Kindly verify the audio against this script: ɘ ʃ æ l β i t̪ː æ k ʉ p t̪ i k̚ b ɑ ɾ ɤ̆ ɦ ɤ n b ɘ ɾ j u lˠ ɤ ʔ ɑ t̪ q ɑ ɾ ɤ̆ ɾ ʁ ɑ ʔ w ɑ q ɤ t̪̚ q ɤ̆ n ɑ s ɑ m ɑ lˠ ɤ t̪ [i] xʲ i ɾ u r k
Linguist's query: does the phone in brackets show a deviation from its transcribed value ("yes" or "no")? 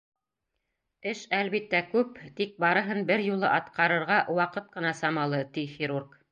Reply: no